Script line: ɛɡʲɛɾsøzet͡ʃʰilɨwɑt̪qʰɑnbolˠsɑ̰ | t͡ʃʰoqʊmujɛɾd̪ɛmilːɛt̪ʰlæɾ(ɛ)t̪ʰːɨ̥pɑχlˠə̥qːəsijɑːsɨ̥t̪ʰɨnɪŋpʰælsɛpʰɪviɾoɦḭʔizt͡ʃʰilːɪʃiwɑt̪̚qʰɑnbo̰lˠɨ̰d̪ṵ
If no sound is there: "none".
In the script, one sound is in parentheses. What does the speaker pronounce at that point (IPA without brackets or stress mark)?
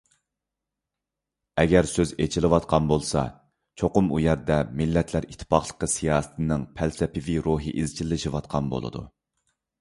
i